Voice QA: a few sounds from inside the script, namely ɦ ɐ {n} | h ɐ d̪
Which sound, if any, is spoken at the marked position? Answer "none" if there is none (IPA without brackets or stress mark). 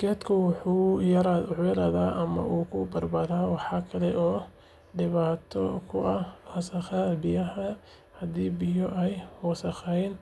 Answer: none